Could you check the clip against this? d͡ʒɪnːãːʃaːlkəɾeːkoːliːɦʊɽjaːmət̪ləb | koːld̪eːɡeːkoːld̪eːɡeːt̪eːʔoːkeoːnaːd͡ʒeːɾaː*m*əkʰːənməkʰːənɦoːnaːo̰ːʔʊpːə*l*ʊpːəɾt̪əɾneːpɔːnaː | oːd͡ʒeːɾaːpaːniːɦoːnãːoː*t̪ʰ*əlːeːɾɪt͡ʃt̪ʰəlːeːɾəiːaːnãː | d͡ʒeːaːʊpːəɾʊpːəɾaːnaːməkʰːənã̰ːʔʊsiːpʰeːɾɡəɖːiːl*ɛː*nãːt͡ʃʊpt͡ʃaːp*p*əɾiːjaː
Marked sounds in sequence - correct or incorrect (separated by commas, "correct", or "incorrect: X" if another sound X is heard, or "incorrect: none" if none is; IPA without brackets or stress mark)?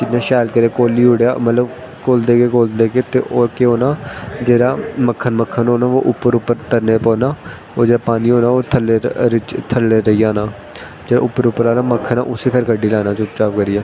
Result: correct, incorrect: ɾ, correct, incorrect: aː, incorrect: k